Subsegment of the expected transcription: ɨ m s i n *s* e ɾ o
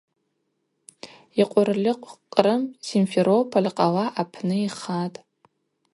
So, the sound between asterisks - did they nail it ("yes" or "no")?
no